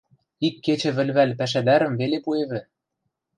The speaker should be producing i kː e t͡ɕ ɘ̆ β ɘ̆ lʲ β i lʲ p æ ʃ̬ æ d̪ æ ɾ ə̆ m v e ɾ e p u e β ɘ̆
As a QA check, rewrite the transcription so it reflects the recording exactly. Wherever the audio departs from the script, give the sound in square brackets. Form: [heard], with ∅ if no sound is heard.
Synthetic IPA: i kː e t͡ɕ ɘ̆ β ɘ̆ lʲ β [æ] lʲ p æ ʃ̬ æ d̪ æ ɾ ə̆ m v e [l] e p u e β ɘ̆